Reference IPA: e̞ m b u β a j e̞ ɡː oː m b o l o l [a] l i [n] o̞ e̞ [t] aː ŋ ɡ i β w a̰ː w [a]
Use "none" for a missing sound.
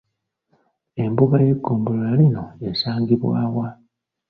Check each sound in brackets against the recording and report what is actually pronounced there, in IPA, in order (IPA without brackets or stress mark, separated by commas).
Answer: a, n, s, a